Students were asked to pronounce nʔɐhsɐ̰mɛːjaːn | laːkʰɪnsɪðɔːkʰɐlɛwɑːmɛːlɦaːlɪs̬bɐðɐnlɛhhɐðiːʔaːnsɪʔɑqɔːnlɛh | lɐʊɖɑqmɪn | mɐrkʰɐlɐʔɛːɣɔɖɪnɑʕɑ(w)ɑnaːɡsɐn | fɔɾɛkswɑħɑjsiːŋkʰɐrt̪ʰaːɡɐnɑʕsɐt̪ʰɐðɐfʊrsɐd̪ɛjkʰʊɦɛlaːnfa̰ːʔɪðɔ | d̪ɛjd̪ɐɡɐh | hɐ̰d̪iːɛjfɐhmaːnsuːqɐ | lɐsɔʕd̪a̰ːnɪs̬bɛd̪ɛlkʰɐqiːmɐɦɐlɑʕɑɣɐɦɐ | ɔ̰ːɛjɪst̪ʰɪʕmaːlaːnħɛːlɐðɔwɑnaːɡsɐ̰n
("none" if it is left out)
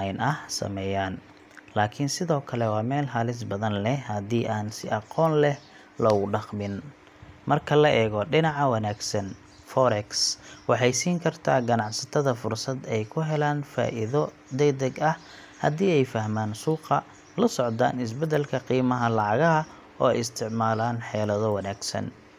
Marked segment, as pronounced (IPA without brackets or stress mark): w